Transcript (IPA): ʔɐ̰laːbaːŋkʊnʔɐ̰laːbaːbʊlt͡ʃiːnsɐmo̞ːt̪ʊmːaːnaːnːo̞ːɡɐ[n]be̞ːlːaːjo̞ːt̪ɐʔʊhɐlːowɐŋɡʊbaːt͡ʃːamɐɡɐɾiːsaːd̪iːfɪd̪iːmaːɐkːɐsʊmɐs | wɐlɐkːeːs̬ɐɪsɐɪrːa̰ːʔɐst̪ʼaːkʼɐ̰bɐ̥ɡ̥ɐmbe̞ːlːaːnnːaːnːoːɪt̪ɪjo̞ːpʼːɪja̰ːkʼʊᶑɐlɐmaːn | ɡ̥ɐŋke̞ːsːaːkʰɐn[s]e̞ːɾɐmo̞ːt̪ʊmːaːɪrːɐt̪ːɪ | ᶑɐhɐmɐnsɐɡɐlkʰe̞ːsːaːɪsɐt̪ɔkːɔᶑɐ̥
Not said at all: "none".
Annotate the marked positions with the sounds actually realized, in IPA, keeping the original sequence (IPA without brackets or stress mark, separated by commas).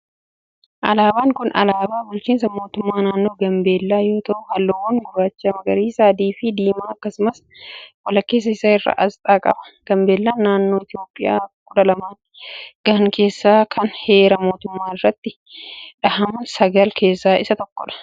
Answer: m, h